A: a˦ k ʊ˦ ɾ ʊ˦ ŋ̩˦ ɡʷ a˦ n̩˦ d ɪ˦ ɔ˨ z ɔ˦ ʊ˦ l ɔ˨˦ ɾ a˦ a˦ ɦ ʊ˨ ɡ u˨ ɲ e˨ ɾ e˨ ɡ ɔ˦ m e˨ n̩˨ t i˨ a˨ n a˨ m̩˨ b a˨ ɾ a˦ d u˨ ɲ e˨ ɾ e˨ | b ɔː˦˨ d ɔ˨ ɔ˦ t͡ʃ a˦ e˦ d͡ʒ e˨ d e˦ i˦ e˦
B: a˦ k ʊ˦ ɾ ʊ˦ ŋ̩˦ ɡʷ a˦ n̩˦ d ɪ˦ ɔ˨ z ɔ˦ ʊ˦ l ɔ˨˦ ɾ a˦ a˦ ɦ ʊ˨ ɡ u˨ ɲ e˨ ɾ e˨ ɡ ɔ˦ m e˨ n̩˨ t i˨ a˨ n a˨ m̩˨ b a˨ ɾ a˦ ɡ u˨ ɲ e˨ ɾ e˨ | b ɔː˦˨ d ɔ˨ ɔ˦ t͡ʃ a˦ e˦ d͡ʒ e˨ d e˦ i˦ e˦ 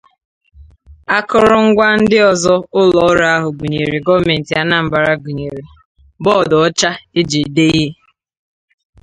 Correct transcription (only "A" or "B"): B